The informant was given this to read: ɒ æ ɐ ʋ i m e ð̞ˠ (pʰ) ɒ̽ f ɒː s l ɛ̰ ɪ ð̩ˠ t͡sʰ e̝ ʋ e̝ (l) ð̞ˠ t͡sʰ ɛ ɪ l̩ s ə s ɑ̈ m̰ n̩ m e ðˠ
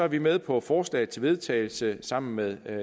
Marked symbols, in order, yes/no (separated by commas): yes, no